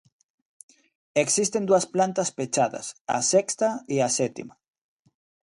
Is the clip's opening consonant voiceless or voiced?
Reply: voiceless